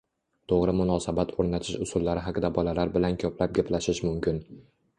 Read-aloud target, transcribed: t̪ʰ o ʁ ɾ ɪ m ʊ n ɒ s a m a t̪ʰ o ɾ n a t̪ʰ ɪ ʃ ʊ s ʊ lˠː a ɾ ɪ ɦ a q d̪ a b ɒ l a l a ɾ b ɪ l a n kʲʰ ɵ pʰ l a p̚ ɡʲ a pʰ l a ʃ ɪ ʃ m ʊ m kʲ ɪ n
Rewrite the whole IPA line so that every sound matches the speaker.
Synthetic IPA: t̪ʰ o ʁ ɾ ɪ m ʊ n ɒ s a b a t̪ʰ o ɾ n a t̪ʰ ɪ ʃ ʊ s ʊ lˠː a ɾ ɪ ɦ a q d̪ a b ɒ l a l a ɾ b ɪ l a n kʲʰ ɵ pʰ l a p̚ ɡʲ a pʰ l a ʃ ɪ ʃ m ʊ m kʲ ɪ n